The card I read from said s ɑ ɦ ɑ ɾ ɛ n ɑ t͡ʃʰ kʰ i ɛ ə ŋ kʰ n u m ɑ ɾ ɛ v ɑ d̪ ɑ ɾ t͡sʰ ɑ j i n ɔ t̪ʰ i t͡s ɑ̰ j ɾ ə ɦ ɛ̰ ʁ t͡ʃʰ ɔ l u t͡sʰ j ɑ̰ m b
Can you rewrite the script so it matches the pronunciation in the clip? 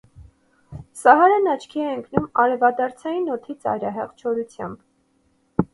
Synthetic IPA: s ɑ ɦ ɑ ɾ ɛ n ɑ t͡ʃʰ kʰ i ɛ ə ŋ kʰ n u m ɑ ɾ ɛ v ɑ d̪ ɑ ɾ t͡sʰ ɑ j i n ɔ t̪ʰ i t͡s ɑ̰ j ɾ ɑ ɦ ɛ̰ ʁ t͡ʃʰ ɔ ɾ u t͡sʰ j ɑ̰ m b

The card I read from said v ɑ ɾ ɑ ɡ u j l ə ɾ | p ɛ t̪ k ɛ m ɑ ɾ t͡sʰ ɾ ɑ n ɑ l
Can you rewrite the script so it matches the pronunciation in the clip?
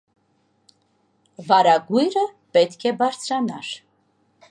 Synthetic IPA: v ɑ ɾ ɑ ɡ u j ɾ ə | p ɛ t̪ kʰ ɛ b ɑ ɾ t͡sʰ ɾ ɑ n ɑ ɾ

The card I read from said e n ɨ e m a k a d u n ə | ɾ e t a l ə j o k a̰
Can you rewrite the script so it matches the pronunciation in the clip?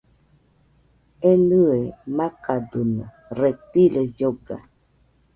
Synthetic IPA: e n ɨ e m a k a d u n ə | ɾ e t i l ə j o ɡ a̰

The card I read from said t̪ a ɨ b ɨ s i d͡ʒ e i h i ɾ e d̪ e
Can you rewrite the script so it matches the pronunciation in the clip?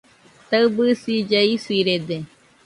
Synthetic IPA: t̪ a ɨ b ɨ s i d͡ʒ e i s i ɾ e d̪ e

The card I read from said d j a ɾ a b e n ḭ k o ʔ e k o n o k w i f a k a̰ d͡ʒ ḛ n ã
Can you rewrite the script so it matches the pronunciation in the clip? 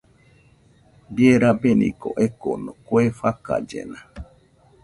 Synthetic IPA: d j e ɾ a b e n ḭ k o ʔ e k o n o k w e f a k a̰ d͡ʒ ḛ n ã

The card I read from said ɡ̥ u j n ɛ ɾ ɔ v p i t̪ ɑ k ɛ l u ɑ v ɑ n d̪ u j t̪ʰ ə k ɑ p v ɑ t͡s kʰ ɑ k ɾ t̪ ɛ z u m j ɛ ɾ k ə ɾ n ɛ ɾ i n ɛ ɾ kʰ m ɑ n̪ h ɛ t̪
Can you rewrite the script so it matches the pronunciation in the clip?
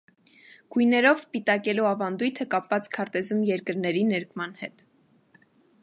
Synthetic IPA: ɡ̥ u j n ɛ ɾ ɔ v p i t̪ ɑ k ɛ l u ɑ v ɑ n d̪ u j t̪ʰ ə k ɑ p v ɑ t͡s kʰ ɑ ɾ t̪ ɛ z u m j ɛ ɾ k ə ɾ n ɛ ɾ i n ɛ ɾ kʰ m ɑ n̪ h ɛ t̪

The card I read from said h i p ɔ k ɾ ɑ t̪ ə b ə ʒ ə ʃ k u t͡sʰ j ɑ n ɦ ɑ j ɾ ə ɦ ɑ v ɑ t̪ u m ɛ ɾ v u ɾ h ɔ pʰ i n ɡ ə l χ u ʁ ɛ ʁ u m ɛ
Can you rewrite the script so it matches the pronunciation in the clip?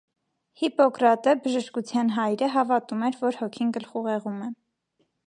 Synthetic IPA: h i p ɔ k ɾ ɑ t̪ ə b ə ʒ ə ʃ k u t͡sʰ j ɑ n ɦ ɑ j ɾ ə ɦ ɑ v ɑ t̪ u m ɛ ɾ v ɔ ɾ h ɔ kʰ i n ɡ ə l χ u ʁ ɛ ʁ u m ɛ

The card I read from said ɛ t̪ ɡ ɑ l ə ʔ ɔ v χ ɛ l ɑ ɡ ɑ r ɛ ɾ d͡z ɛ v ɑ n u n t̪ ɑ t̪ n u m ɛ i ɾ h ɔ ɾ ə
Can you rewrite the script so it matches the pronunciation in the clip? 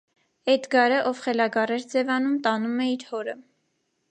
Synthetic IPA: ɛ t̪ ɡ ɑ ɾ ə ʔ ɔ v χ ɛ l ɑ ɡ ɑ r ɛ ɾ d͡z ɛ v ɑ n u m t̪ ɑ n u m ɛ i ɾ h ɔ ɾ ə

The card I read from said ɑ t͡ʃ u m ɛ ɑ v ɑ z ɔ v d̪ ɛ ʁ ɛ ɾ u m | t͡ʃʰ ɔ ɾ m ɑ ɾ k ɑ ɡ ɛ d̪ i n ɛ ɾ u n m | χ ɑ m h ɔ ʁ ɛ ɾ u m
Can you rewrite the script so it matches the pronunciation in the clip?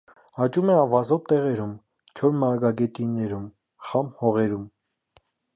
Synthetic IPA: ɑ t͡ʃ u m ɛ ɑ v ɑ z ɔ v t̪ ɛ ʁ ɛ ɾ u m | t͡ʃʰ ɔ ɾ m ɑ ɾ ɡ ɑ ɡ ɛ t̪ i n ɛ ɾ u m | χ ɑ m h ɔ ʁ ɛ ɾ u m

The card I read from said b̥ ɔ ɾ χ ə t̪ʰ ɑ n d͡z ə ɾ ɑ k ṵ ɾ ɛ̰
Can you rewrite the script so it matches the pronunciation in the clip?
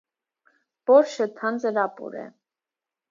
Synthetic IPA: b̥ ɔ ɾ ʃ ə t̪ʰ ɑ n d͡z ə ɾ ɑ p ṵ ɾ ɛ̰

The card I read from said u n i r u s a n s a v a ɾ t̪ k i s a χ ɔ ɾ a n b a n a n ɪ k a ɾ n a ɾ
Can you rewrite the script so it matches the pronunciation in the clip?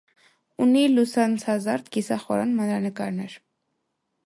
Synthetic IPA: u n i l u s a n s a z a ɾ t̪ k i s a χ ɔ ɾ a n m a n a n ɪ k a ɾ n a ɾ

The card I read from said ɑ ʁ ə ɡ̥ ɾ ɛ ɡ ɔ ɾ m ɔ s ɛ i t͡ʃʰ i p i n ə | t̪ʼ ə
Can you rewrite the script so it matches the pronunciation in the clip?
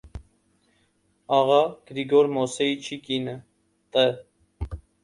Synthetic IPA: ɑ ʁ ɑ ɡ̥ ɾ i ɡ ɔ ɾ m ɔ s ɛ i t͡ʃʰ i k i n ə | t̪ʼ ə

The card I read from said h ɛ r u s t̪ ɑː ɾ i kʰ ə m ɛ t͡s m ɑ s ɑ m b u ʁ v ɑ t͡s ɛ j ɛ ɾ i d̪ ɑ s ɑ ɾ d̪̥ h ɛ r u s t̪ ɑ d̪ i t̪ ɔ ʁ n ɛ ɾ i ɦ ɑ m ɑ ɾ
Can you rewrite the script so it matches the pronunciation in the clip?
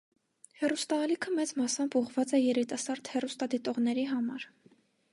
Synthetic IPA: h ɛ r u s t̪ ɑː l i kʰ ə m ɛ t͡s m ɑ s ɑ m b u ʁ v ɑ t͡s ɛ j ɛ ɾ i t̪ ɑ s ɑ ɾ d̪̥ h ɛ r u s t̪ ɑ d̪ i t̪ ɔ ʁ n ɛ ɾ i ɦ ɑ m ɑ ɾ

